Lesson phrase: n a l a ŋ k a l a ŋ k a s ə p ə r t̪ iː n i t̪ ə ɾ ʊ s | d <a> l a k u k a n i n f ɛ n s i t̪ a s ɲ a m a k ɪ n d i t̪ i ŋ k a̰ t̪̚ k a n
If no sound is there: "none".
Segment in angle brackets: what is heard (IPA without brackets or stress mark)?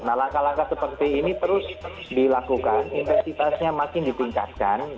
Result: i